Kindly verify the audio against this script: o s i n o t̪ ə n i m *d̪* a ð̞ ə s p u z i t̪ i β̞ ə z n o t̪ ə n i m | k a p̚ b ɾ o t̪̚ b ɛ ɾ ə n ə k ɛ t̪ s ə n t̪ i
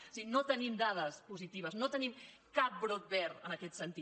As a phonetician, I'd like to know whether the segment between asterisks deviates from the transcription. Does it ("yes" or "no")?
no